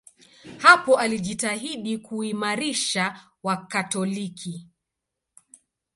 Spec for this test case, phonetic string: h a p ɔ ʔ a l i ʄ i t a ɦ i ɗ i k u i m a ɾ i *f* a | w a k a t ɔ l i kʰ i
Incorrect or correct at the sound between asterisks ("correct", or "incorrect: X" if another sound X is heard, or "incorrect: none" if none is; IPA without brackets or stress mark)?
incorrect: ʃ